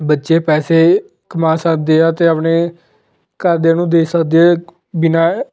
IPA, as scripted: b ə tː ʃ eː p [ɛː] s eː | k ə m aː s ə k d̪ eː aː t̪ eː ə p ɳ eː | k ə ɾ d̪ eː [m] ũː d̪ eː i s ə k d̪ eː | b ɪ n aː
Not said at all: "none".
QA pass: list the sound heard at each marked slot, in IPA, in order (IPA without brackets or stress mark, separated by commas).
ɛː, n